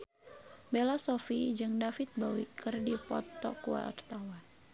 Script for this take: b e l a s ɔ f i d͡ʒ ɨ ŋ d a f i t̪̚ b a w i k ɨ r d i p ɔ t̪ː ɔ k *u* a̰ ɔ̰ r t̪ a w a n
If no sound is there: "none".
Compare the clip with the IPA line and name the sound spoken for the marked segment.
u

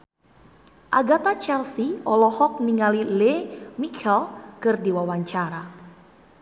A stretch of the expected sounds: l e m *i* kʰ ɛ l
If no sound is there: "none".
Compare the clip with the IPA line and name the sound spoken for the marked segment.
i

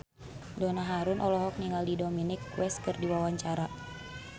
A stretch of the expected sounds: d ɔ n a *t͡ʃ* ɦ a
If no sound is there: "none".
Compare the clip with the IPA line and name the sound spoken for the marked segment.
none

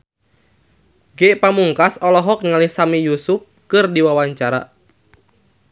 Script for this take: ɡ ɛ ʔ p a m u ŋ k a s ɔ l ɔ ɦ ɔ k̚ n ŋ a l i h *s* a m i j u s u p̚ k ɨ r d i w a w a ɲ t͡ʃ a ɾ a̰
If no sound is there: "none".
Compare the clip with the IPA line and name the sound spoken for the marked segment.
s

